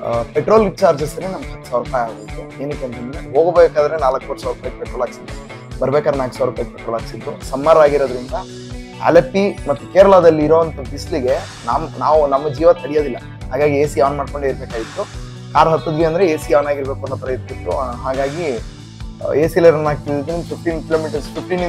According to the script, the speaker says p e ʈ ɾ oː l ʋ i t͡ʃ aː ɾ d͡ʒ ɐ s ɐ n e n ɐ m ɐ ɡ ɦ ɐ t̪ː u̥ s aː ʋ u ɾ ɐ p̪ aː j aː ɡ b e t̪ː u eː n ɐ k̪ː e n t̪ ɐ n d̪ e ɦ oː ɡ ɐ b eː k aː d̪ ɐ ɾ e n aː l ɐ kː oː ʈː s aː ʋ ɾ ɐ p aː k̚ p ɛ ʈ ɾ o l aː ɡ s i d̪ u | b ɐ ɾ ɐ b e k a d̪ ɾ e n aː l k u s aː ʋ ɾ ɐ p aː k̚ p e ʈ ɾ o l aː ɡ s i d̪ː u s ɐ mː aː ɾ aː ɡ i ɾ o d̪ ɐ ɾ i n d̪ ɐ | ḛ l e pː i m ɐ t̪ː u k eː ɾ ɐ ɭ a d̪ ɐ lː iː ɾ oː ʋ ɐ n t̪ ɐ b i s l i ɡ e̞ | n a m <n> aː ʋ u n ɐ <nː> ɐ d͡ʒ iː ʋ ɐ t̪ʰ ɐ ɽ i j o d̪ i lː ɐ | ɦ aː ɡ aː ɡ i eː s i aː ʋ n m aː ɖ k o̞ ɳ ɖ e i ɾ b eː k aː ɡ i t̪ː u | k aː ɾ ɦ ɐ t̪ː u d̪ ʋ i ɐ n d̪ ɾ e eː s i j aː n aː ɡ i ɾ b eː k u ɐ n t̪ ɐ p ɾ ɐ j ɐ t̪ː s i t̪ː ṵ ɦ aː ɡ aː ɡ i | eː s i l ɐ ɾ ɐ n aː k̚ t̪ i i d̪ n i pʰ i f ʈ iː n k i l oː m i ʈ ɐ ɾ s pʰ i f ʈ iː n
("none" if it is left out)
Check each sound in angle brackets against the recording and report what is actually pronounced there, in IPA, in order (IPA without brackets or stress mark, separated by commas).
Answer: n, mː